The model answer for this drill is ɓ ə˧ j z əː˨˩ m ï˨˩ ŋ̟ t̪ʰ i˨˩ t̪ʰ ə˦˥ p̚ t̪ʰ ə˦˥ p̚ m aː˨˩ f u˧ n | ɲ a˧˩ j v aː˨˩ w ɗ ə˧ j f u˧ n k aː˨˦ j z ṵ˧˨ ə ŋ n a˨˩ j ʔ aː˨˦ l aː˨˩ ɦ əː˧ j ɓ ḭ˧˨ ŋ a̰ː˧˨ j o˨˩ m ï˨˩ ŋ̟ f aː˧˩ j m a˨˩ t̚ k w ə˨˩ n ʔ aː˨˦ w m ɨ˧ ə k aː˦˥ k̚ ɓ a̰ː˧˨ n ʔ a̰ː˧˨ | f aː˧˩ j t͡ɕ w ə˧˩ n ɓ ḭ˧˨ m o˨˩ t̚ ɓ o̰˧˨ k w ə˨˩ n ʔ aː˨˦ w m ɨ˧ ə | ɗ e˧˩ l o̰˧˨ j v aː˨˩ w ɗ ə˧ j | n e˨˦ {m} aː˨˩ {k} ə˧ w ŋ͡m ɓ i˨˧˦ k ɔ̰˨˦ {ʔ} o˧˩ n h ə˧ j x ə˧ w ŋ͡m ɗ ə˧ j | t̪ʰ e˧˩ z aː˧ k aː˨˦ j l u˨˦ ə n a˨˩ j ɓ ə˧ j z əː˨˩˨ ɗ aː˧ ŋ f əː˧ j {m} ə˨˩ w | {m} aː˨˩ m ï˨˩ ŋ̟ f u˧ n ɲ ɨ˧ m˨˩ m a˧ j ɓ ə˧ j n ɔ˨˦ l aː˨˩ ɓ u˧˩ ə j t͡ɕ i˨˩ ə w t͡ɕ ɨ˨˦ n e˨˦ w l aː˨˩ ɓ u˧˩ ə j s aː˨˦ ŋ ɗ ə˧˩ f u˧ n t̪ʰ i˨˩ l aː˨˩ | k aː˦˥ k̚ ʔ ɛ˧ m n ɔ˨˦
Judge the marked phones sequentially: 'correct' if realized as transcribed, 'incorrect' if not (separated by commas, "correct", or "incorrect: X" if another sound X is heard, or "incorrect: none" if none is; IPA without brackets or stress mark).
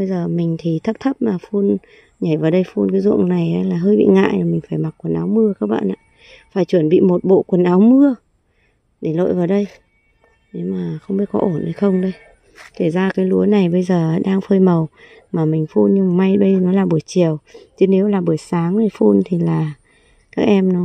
correct, incorrect: x, correct, correct, correct